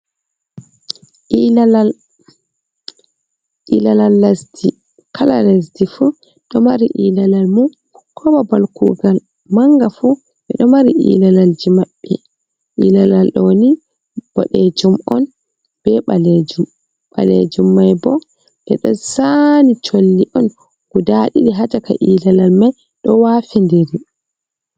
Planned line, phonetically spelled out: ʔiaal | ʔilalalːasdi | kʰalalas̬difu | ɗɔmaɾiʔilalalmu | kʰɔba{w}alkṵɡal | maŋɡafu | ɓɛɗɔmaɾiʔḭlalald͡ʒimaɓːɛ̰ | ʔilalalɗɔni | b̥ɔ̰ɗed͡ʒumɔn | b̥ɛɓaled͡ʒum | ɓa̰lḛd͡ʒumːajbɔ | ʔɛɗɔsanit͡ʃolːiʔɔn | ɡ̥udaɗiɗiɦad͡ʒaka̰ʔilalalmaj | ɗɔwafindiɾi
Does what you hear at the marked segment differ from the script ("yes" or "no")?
yes